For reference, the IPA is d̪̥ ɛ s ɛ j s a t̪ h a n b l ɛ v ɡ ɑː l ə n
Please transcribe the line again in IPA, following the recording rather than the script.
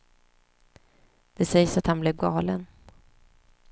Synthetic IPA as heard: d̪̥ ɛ s ɛ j s a t̪ h a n b l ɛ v ɡ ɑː l ə n